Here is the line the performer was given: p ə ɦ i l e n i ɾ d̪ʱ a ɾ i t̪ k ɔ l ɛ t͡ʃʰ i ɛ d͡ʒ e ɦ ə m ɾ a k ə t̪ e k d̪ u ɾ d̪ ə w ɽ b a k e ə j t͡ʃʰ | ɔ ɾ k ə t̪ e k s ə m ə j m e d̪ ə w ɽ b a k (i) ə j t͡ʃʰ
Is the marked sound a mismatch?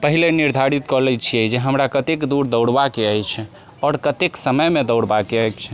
yes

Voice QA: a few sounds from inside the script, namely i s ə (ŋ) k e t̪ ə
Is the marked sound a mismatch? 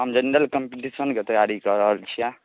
yes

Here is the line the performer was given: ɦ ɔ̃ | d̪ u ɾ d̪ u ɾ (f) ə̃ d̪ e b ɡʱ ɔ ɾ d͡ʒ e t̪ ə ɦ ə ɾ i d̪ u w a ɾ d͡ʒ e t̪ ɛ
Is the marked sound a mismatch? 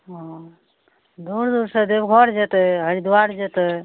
yes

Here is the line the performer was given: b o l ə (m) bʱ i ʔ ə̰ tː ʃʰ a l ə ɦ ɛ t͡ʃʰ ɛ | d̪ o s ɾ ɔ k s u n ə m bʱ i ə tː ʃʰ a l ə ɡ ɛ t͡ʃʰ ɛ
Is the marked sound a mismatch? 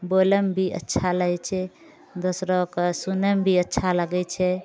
no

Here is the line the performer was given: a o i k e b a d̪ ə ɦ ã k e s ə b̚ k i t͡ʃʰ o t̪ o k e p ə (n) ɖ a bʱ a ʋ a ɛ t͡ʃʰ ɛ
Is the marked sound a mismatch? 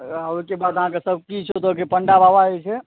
yes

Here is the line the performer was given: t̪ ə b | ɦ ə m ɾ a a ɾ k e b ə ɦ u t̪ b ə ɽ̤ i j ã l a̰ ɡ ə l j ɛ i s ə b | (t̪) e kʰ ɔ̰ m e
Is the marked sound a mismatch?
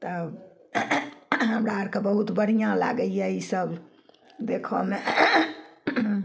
yes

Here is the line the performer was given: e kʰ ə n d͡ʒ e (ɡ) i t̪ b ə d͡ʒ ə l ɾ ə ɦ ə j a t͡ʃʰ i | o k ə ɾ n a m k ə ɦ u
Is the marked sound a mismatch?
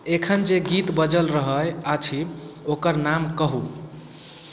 no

